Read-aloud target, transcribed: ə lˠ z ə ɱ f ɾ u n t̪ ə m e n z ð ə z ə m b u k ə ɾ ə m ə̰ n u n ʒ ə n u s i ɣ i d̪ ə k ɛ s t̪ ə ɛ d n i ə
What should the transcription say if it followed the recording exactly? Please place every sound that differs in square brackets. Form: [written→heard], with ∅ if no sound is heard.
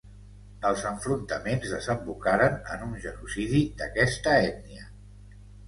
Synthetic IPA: ə lˠ z ə ɱ f ɾ u n t̪ ə m e n z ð ə z ə m b u k [ə→a] ɾ ə [m→n] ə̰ n u n ʒ ə n u s i [ɣ→ð] i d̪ ə k ɛ s t̪ ə ɛ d n i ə